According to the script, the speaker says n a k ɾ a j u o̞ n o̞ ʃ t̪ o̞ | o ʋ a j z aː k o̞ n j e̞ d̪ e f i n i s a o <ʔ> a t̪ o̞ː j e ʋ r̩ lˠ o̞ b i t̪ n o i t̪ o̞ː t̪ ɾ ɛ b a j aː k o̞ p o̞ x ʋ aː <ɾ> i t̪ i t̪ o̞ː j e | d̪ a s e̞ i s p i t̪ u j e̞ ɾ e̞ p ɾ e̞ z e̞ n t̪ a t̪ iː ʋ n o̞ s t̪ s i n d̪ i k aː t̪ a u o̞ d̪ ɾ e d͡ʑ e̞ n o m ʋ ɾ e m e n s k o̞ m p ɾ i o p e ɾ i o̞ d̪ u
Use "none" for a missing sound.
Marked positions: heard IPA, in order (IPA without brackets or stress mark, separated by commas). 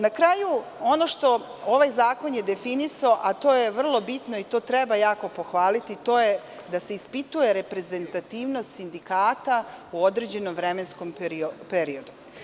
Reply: ʔ, l